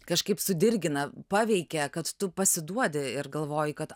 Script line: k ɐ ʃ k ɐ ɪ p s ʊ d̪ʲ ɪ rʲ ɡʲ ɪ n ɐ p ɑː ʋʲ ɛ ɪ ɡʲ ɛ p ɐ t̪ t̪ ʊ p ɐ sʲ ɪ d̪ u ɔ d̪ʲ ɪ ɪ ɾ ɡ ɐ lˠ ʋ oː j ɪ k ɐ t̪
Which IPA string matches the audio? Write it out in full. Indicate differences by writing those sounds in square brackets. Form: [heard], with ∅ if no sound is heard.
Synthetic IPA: k ɐ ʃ k ɐ ɪ p s ʊ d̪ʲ ɪ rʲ ɡʲ ɪ n ɐ p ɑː ʋʲ ɛ ɪ [kʲ] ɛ [k] ɐ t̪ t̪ ʊ p ɐ sʲ ɪ d̪ u ɔ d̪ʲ ɪ ɪ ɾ ɡ ɐ lˠ ʋ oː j ɪ k ɐ t̪